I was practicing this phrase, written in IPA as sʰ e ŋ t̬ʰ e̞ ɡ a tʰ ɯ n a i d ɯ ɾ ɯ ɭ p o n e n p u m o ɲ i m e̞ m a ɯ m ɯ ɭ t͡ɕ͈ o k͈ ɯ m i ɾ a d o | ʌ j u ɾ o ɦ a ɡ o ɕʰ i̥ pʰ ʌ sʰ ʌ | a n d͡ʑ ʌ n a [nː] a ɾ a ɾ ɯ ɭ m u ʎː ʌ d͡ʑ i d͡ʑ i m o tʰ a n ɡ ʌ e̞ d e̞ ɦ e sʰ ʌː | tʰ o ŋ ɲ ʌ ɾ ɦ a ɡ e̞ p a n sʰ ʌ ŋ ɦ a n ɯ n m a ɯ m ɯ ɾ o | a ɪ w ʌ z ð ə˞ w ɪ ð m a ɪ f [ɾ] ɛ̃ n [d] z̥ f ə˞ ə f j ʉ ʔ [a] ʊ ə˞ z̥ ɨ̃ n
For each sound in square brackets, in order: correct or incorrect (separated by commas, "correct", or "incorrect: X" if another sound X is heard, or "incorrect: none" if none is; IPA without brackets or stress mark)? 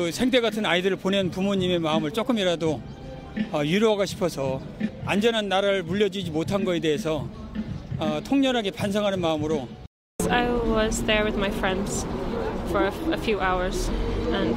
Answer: correct, incorrect: ɹ, correct, correct